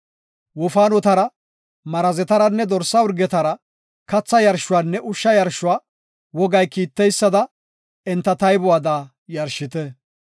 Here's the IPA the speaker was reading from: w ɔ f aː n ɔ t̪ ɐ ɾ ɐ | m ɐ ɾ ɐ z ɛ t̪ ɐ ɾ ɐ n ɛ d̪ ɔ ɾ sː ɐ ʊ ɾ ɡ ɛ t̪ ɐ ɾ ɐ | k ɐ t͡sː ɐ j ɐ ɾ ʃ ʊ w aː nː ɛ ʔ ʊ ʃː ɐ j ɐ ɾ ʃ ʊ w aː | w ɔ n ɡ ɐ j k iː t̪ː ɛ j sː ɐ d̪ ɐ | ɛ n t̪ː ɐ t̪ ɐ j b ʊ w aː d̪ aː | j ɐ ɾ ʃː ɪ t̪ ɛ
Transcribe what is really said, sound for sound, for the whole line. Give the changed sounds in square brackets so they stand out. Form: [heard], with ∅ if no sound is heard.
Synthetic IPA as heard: w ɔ f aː n ɔ t̪ ɐ ɾ ɐ | m ɐ ɾ ɐ z ɛ t̪ ɐ ɾ ɐ [nː] ɛ d̪ ɔ ɾ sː ɐ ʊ ɾ ɡ ɛ t̪ ɐ ɾ ɐ | k ɐ t͡sː ɐ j ɐ ɾ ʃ ʊ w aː nː ɛ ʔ ʊ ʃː ɐ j ɐ ɾ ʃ ʊ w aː | w ɔ [∅] ɡ ɐ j k iː t̪ː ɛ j sː ɐ d̪ ɐ | ɛ n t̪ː ɐ t̪ ɐ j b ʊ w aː d̪ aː | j ɐ ɾ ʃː ɪ t̪ ɛ